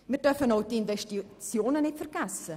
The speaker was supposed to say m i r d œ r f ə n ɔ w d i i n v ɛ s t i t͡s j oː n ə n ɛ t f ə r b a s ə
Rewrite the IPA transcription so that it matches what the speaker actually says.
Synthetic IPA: m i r d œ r f ə n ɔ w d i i n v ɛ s t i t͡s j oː n ə n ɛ t f ə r ɡ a s ə